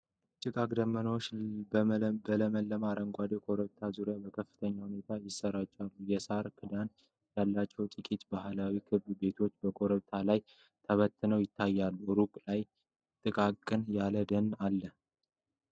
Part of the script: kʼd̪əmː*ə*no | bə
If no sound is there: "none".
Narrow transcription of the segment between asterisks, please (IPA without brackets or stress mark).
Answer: ə